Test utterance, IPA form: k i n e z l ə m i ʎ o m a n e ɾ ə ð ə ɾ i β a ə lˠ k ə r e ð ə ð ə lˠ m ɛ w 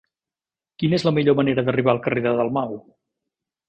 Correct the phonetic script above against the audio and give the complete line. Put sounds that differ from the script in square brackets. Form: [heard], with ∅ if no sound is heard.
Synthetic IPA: k i n e z l ə m i ʎ o m [ə] n e ɾ ə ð ə [r] i β a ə lˠ k ə r e ð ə ð ə lˠ m [a] w